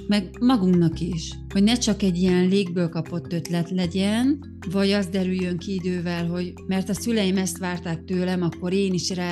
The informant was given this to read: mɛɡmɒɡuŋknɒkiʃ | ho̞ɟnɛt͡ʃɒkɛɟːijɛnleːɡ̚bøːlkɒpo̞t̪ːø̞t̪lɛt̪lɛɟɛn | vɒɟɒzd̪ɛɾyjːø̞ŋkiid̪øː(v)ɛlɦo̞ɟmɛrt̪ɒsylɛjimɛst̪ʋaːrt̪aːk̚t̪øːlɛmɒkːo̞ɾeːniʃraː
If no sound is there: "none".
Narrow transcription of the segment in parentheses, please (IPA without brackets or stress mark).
v